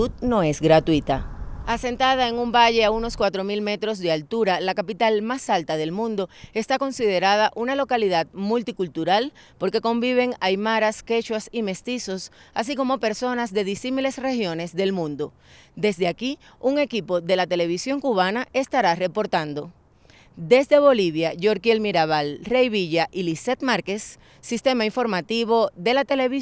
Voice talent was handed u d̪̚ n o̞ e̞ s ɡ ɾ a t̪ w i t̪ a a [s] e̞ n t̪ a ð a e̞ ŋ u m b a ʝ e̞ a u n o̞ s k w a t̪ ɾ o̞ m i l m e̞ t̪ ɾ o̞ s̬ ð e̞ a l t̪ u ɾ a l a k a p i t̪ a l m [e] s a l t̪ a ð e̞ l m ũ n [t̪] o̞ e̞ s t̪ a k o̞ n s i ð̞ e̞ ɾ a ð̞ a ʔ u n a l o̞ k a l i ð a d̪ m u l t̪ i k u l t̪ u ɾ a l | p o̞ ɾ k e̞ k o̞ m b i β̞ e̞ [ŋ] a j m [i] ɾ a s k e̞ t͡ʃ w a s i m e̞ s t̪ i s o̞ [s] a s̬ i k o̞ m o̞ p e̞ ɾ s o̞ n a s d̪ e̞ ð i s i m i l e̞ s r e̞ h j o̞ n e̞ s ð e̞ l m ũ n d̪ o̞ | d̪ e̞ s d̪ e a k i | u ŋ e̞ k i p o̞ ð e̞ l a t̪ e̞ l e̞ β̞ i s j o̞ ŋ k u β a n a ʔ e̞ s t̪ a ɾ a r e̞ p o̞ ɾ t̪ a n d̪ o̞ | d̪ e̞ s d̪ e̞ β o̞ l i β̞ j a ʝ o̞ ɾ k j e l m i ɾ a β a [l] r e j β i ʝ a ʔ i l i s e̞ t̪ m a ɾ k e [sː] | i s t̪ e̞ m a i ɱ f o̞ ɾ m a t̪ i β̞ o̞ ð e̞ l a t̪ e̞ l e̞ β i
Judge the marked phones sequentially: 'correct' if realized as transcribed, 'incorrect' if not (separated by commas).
correct, incorrect, incorrect, correct, incorrect, correct, correct, correct